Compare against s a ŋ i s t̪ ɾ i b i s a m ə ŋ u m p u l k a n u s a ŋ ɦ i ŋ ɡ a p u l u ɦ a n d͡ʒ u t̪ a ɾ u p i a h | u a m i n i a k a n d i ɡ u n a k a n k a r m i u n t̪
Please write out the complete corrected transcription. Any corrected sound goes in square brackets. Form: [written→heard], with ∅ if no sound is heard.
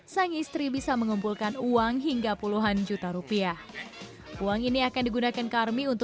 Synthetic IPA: s a ŋ i s t̪ ɾ i b i s a m ə ŋ u m p u l k a n u [s→∅] a ŋ ɦ i ŋ ɡ a p u l u ɦ a n d͡ʒ u t̪ a ɾ u p i a h | u a [m→ŋ] i n i a k a n d i ɡ u n a k a n k a r m i u n t̪